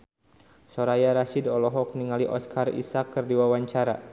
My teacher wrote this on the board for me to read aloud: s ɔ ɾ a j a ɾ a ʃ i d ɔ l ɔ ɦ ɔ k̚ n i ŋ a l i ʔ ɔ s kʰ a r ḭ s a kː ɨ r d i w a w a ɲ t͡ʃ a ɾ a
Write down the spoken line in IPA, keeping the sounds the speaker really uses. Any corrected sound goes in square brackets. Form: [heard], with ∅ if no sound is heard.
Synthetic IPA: s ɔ ɾ a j a ɾ a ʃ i d ɔ l ɔ ɦ ɔ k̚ n i ŋ a l i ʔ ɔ s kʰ a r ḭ s a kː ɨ r d i w a w a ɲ t͡ʃ a ɾ a